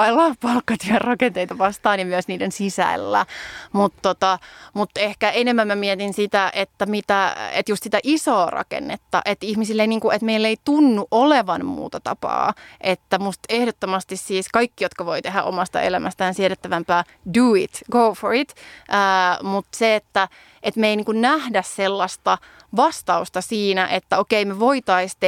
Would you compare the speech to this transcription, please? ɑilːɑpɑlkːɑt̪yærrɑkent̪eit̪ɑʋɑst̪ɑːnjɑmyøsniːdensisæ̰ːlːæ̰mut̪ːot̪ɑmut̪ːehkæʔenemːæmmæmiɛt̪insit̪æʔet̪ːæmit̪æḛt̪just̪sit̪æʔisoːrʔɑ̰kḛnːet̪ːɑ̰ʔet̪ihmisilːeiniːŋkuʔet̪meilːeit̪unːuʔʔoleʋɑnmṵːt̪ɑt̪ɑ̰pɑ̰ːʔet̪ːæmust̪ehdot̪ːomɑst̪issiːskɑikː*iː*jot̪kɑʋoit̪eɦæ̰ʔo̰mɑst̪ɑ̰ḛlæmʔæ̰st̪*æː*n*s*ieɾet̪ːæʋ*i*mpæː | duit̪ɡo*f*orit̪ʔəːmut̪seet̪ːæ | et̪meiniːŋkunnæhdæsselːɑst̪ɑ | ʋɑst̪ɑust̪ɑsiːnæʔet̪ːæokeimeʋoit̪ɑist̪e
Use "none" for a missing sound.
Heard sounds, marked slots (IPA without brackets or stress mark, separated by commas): i, æː, s, æ, f